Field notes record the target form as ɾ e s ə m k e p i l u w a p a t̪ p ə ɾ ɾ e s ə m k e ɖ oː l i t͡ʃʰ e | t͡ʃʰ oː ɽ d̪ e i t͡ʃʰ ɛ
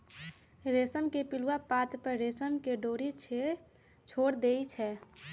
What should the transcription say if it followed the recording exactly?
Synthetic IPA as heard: ɾ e s ə m k e p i l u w a p a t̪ p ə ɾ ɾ e s ə m k e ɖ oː ɾ i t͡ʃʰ e | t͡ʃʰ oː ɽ d̪ e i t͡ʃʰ ɛ

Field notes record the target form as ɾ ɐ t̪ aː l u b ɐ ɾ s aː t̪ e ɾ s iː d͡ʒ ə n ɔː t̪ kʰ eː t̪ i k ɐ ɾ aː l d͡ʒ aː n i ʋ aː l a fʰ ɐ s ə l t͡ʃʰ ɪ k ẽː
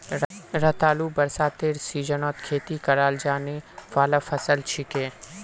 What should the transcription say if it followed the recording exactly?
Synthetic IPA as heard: ɾ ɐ t̪ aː l u b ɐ ɾ s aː t̪ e ɾ s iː d͡ʒ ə n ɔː t̪ kʰ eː t̪ i k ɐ ɾ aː l d͡ʒ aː n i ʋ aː l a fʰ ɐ s ə l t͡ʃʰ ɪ k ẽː

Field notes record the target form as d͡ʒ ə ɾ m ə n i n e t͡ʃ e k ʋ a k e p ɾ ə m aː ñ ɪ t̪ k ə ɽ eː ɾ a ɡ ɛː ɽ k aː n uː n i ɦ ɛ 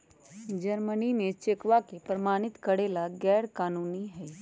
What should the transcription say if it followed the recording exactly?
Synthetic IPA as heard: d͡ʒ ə ɾ m ə n i n e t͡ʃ e k ʋ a k e p ɾ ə m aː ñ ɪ t̪ k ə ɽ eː l a ɡ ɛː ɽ k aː n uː n i ɦ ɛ

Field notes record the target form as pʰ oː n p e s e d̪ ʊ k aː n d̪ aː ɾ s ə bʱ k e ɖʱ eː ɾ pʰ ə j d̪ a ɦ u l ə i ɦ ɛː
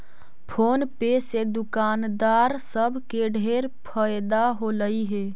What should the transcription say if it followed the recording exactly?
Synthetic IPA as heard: pʰ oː n p e s e d̪ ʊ k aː n d̪ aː ɾ s ə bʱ k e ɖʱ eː ɾ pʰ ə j d̪ a ɦ o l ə i ɦ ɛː

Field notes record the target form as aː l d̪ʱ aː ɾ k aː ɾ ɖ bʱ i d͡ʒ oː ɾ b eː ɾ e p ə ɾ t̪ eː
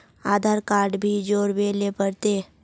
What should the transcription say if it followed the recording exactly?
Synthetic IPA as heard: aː d̪ʱ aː ɾ k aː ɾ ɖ bʱ i d͡ʒ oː ɾ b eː l e p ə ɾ t̪ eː

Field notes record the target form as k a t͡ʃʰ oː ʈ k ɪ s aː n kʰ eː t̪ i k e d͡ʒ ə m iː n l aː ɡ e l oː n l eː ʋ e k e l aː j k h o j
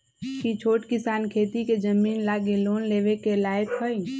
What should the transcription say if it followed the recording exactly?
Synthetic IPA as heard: k i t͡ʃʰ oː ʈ k ɪ s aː n kʰ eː t̪ i k e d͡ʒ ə m iː n l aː ɡ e l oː n l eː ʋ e k e l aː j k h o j

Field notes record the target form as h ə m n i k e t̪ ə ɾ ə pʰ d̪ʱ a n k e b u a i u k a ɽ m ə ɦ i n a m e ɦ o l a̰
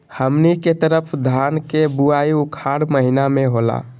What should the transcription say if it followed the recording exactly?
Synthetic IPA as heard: h ə m n i k e t̪ ə ɾ ə pʰ d̪ʱ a n k e b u a i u kʰ a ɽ m ə ɦ i n a m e ɦ o l a̰

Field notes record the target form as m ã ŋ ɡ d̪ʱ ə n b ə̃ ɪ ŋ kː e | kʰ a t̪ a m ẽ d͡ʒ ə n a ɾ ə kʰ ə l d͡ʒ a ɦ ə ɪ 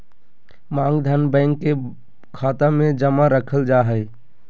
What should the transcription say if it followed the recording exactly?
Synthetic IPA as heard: m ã ŋ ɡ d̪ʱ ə n b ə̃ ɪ ŋ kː e | kʰ a t̪ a m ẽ d͡ʒ ə m a ɾ ə kʰ ə l d͡ʒ a ɦ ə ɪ

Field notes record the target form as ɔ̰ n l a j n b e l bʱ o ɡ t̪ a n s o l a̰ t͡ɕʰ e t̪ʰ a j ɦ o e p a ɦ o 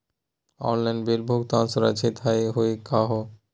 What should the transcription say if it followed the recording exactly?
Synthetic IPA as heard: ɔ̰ n l a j n b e l bʱ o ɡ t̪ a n s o ɾ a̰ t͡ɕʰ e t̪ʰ a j ɦ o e k a ɦ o

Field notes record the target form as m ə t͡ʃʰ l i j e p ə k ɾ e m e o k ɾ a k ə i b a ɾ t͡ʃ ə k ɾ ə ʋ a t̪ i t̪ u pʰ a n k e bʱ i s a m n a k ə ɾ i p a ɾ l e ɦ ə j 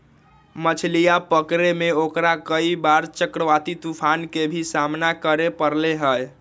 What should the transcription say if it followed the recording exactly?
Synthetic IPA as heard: m ə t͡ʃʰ l i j a p ə k ɾ e m e o k ɾ a k ə i b a ɾ t͡ʃ ə k ɾ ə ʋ a t̪ i t̪ u pʰ a n k e bʱ i s a m n a k ə ɾ e p ə ɾ l e ɦ ə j

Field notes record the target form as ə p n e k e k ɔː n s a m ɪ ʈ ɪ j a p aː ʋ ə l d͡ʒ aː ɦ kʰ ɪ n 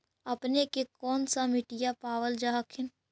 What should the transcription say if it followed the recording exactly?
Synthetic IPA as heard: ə p n e k e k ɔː n s a m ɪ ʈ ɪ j a p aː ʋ ə l d͡ʒ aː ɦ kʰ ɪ n

